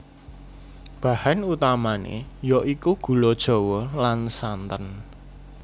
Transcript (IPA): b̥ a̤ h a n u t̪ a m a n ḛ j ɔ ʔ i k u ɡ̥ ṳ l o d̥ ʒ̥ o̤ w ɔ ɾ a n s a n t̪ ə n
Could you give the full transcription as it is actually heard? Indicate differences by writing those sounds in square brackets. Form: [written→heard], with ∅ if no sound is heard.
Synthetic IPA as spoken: b̥ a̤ h a n u t̪ a m a n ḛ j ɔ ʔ i k u ɡ̥ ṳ l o d̥ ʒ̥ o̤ w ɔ [ɾ→l] a n s a n t̪ ə n